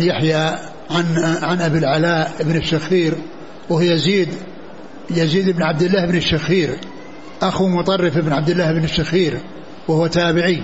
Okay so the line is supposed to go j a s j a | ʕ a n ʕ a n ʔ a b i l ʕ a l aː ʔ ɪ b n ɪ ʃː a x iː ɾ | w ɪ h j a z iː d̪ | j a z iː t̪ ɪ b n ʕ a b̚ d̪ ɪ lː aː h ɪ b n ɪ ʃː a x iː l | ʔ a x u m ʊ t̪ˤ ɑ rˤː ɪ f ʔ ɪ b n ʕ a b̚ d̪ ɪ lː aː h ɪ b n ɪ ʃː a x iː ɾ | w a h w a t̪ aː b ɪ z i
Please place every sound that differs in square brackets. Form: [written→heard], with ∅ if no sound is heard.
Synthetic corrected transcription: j a [s→ħ] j a | ʕ a n ʕ a n ʔ a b i l ʕ a l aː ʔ ɪ b n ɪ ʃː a x iː ɾ | w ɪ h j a z iː d̪ | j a z iː [t̪→d̪] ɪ b n ʕ a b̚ d̪ ɪ lː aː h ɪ b n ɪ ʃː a x iː [l→ɾ] | ʔ a x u m ʊ t̪ˤ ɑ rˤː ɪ f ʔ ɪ b n ʕ a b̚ d̪ ɪ lː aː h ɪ b n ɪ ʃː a x iː ɾ | w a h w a t̪ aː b ɪ [z→ʕ] i